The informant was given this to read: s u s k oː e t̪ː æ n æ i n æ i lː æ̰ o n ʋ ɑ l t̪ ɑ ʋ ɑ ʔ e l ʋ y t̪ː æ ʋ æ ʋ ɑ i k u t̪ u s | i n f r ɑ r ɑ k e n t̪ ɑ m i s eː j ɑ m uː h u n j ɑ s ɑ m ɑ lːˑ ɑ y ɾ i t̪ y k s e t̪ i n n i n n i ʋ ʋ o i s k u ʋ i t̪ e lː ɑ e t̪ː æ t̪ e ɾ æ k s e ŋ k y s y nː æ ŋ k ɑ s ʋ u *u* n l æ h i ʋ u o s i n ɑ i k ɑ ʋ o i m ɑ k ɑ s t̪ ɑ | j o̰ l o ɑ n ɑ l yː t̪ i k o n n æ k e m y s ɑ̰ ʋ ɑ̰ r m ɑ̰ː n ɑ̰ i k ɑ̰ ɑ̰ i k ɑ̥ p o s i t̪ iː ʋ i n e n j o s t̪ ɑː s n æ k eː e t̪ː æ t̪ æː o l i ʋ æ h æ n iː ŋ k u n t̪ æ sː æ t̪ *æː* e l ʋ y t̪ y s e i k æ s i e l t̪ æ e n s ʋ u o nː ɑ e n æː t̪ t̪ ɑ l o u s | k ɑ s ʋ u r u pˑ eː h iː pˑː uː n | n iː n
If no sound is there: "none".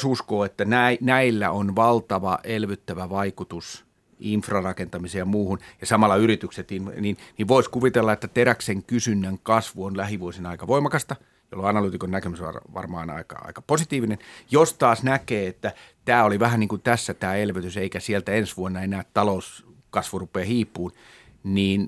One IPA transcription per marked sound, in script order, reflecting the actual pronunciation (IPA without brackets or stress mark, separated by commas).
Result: o, æː